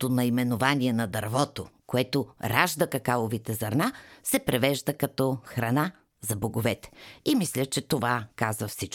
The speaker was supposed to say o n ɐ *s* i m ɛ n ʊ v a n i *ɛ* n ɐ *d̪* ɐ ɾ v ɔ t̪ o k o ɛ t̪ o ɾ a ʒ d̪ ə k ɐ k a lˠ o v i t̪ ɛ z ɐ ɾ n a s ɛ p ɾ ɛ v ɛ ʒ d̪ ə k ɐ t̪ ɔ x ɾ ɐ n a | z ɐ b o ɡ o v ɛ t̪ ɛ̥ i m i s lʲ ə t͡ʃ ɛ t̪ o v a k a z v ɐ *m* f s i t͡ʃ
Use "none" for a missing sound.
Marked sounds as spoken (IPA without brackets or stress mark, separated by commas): none, ɛ, d̪, none